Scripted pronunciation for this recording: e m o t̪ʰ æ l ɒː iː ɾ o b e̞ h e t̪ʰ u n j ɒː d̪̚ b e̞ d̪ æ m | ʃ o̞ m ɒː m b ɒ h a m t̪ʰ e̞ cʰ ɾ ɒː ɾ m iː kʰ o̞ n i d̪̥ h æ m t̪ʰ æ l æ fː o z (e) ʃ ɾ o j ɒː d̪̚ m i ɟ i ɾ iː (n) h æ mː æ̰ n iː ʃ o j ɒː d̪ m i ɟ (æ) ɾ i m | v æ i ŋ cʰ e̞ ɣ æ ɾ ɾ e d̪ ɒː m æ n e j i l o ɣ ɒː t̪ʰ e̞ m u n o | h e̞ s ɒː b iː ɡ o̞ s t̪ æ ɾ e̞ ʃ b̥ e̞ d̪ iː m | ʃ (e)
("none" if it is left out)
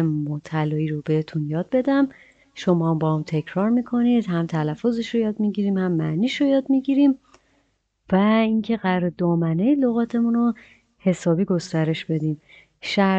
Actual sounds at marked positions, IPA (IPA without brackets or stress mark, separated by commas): e, m, i, æ